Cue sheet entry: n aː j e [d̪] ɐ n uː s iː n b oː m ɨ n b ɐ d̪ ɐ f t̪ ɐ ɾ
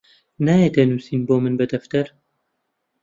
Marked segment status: incorrect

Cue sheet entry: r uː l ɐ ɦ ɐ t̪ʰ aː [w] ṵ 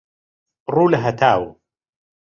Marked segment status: correct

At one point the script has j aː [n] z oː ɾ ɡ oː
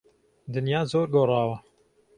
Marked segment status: incorrect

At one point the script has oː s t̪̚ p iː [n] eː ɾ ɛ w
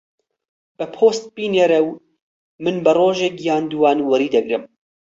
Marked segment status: correct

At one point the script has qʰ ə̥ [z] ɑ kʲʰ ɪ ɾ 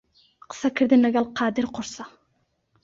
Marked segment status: incorrect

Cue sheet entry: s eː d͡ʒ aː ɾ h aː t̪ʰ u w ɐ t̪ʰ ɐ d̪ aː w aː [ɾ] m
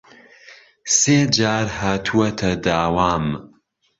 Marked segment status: incorrect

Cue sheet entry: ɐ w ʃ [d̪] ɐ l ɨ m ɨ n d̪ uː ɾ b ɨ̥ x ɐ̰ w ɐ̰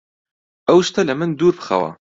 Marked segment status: incorrect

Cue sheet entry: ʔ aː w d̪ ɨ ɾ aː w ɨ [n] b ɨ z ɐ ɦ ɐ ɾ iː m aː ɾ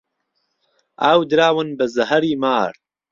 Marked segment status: correct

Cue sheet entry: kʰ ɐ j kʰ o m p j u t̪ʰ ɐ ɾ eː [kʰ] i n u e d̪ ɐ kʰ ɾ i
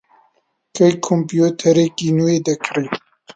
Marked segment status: incorrect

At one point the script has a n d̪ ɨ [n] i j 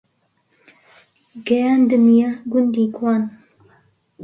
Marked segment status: incorrect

